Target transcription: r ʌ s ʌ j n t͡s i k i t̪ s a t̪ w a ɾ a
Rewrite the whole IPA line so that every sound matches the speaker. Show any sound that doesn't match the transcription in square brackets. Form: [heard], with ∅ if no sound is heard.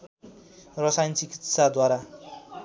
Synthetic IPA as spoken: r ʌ s [a] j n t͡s i k i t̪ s a [d̪] w a ɾ a